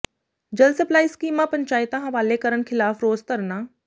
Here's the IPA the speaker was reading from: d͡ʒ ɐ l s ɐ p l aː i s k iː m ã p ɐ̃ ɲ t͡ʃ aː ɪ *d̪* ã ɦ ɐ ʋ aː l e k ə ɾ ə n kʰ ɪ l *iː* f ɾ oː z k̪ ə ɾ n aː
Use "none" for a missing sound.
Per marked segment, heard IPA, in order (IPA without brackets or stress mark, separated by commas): t̪, aː